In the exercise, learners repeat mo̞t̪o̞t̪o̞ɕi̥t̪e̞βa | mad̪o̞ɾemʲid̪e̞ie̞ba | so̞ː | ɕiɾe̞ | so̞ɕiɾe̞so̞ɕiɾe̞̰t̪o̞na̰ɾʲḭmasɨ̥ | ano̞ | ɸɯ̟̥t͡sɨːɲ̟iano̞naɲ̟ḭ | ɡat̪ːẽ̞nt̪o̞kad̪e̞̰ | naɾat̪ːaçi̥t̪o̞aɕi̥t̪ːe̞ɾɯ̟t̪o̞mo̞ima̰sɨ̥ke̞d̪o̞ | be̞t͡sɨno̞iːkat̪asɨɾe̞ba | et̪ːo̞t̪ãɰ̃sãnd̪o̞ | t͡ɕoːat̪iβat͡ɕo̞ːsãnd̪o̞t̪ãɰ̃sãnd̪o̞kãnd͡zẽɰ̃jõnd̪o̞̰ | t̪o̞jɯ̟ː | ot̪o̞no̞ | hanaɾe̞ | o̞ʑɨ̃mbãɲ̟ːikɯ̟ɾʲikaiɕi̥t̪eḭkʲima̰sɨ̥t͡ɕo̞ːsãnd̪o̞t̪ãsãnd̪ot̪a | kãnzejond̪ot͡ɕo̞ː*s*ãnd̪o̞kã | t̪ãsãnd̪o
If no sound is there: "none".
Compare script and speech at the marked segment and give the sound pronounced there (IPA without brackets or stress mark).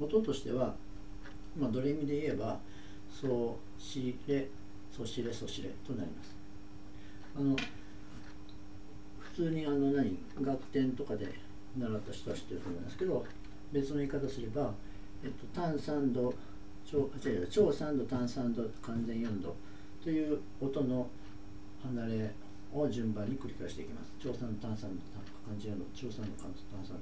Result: s